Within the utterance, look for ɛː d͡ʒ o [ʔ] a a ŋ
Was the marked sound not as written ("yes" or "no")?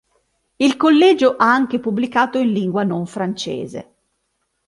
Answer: no